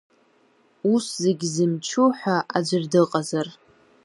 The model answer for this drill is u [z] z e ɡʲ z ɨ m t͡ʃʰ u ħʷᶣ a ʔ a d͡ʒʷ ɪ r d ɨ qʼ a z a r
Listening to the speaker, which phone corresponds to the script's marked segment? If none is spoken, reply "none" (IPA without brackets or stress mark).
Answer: s